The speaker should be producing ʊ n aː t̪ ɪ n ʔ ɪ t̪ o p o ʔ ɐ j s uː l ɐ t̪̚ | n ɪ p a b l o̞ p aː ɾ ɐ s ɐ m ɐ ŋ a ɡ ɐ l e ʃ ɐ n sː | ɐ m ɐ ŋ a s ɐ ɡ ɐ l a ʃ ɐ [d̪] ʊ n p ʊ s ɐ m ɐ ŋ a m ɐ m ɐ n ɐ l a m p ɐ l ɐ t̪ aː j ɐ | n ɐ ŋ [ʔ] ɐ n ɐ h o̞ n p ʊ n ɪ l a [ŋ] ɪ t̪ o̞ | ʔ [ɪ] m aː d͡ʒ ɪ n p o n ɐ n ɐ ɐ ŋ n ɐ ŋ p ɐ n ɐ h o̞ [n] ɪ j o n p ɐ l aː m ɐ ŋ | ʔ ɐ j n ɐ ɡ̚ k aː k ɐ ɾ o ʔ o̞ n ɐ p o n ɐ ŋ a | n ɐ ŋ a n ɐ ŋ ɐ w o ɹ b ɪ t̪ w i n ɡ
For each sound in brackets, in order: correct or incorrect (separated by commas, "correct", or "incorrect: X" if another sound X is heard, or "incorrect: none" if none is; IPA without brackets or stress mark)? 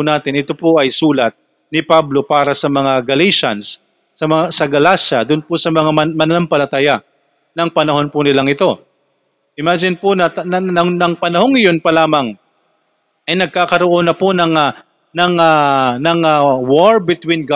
correct, incorrect: p, correct, correct, incorrect: ŋ